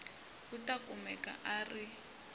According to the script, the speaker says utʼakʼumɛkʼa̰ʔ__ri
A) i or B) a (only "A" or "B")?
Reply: B